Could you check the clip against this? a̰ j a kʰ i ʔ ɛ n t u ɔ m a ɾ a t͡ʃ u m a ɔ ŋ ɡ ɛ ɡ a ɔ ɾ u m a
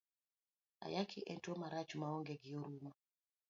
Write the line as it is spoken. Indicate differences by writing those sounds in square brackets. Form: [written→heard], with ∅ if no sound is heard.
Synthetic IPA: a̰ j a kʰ i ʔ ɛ n t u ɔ m a ɾ a t͡ʃ u m a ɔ ŋ ɡ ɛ ɡ [a→i] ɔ ɾ u m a